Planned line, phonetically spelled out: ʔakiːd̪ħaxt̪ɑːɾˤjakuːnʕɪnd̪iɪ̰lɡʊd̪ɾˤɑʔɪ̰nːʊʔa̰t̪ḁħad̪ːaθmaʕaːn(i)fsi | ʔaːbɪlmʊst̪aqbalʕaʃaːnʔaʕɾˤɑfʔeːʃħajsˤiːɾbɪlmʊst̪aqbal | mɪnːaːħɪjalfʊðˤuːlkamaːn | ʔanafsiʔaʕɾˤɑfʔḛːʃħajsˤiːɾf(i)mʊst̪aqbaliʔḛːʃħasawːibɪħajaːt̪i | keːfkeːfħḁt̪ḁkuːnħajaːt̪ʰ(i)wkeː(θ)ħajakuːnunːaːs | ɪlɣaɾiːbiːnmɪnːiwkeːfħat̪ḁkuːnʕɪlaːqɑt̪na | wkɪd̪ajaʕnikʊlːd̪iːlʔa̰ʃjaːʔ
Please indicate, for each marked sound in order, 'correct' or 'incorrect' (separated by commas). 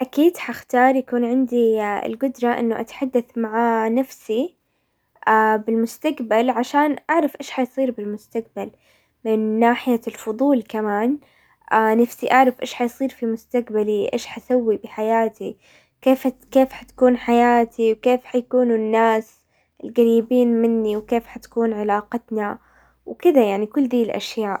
incorrect, correct, correct, incorrect